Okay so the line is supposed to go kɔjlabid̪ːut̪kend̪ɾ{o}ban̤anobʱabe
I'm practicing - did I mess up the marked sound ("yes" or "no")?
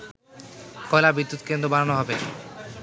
no